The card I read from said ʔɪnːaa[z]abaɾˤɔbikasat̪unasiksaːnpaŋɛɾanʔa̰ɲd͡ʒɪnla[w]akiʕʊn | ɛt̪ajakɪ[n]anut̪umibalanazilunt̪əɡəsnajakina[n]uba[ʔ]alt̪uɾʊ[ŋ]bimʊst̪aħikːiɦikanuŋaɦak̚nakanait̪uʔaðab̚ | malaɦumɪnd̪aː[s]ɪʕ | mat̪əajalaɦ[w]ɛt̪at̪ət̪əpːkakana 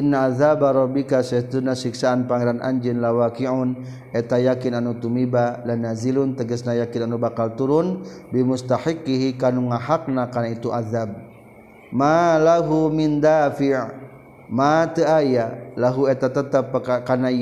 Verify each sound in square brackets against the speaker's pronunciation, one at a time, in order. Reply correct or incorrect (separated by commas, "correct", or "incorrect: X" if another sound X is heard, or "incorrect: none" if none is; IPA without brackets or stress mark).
incorrect: ð, correct, correct, correct, incorrect: k, incorrect: n, incorrect: f, incorrect: u